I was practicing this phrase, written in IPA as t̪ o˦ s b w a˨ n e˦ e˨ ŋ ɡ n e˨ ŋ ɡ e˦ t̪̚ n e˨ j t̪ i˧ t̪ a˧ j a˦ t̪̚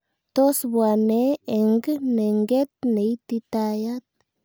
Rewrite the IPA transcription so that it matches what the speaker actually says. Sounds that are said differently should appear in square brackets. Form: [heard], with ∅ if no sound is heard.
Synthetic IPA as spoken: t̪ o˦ s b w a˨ n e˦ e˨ ŋ ɡ n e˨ ŋ ɡ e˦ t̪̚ n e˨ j t̪ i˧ t̪ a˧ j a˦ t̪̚